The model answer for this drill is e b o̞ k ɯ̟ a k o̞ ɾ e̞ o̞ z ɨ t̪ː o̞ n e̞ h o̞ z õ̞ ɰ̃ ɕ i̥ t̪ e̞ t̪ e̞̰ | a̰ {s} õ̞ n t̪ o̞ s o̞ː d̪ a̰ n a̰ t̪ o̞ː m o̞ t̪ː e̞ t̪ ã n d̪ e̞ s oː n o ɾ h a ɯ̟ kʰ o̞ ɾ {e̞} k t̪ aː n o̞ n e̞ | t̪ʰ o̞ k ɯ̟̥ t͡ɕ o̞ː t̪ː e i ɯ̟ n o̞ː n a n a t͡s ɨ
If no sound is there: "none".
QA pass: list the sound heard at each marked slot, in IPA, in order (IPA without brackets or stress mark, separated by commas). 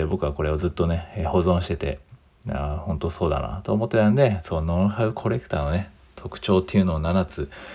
h, e̞